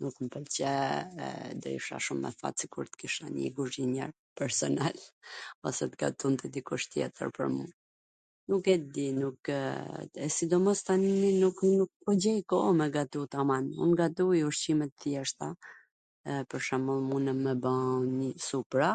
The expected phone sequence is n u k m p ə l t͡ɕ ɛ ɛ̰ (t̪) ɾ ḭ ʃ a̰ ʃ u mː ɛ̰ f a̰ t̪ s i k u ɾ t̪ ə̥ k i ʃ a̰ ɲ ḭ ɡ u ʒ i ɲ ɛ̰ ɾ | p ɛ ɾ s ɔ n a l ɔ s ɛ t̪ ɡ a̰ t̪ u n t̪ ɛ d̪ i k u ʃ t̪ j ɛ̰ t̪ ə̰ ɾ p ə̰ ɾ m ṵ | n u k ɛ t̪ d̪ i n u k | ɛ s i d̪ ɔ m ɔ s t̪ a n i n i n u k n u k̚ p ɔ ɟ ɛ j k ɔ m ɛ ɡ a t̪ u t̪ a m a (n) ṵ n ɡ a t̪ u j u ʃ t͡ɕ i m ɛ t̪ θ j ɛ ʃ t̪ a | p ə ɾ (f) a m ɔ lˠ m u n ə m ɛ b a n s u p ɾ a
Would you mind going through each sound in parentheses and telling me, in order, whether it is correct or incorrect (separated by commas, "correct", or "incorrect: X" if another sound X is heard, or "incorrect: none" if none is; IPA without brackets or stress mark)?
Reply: incorrect: d̪, correct, incorrect: ʃ